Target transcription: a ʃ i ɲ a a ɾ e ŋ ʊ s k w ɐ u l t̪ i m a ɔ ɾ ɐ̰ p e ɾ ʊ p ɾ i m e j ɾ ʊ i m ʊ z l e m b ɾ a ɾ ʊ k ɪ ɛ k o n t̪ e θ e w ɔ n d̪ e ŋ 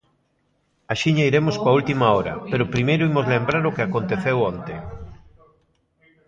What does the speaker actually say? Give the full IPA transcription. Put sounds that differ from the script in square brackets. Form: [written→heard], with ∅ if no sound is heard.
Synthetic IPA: a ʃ i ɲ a [a→i] ɾ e [ŋ→m] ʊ s k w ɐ u l t̪ i m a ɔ ɾ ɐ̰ p e ɾ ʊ p ɾ i m e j ɾ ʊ i m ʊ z l e m b ɾ a ɾ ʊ k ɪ [ɛ→a] k o n t̪ e θ e w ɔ n [d̪→t̪] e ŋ